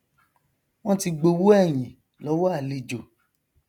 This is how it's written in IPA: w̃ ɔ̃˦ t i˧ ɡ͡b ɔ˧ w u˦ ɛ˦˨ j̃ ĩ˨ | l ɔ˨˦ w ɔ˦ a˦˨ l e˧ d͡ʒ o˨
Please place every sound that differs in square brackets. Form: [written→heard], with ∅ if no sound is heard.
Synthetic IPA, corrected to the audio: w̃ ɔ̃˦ t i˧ ɡ͡b [ɔ˧→o˧] w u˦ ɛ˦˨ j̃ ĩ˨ | l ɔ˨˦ w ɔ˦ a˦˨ l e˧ d͡ʒ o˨